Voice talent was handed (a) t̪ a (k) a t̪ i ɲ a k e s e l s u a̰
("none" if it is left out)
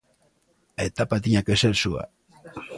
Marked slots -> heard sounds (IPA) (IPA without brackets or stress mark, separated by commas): e, p